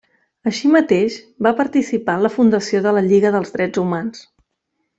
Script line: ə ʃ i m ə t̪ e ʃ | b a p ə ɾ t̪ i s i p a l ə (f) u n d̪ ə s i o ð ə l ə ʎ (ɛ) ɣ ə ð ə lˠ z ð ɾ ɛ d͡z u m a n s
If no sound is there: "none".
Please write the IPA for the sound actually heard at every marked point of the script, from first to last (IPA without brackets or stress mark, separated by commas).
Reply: f, i